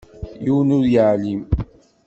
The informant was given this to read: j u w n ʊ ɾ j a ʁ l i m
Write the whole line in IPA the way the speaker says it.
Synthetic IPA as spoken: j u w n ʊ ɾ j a ʕ l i m